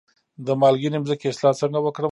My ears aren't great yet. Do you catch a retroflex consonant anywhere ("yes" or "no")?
yes